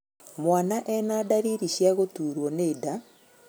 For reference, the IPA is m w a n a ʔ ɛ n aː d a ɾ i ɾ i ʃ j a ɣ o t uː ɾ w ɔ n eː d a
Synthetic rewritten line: m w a n a ʔ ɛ n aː d a ɾ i ɾ i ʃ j a ɣ o t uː ɾ w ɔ n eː d a